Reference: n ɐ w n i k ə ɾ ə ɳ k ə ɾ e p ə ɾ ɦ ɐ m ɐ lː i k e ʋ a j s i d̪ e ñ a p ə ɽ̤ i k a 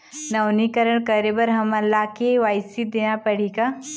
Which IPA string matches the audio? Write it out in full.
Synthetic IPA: n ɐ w n i k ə ɾ ə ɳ k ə ɾ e b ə ɾ ɦ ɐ m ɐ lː a k e ʋ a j s i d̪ e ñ a p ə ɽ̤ i k a

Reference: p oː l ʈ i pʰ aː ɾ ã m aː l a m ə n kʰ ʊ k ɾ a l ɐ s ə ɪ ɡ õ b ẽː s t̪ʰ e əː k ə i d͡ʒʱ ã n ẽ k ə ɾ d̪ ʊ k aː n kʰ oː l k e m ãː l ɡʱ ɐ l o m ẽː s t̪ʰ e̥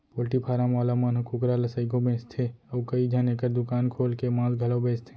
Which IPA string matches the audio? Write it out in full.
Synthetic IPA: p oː l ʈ i pʰ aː ɾ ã m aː l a m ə n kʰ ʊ k ɾ a l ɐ s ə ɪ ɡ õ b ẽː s t̪ʰ e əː k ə i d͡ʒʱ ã n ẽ k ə ɾ d̪ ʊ k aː n kʰ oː l k e m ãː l ɡʱ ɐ l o b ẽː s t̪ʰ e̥

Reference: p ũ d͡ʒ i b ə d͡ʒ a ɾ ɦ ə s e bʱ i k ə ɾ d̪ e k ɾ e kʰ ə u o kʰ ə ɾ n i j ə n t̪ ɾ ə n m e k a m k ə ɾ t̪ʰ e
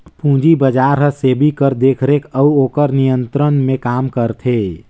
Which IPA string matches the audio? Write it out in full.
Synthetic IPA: p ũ d͡ʒ i b ə d͡ʒ a ɾ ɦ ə s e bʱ i k ə ɾ d̪ e kʰ ɾ e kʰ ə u o k ə ɾ n i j ə n t̪ ɾ ə n m e k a m k ə ɾ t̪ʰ e

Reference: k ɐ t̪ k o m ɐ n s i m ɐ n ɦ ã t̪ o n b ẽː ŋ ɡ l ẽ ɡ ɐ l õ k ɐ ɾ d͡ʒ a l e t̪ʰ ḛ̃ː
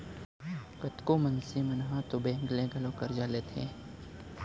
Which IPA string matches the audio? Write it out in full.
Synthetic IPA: k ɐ t̪ k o m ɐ n s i m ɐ n ɦ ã t̪ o b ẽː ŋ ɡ l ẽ ɡ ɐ l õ k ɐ ɾ d͡ʒ a l e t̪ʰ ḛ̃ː

